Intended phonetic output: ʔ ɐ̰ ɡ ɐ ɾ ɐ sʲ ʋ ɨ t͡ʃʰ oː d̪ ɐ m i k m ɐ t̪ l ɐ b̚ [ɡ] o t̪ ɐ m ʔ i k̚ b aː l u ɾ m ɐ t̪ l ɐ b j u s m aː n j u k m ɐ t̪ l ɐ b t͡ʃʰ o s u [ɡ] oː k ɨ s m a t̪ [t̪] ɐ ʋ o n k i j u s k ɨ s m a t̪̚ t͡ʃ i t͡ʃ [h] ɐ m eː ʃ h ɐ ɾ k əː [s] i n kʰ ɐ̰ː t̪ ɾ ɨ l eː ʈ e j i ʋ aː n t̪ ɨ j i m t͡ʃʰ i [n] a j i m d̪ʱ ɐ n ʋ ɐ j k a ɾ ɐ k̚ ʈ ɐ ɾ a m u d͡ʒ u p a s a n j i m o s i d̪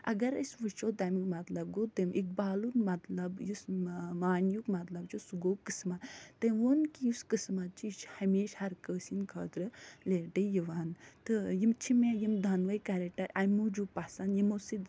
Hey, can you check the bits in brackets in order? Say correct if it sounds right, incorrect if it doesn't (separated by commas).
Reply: correct, correct, correct, correct, correct, incorrect